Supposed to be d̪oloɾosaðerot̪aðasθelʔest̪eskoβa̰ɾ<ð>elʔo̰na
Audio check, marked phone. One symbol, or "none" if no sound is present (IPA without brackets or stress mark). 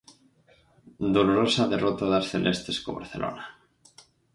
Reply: θ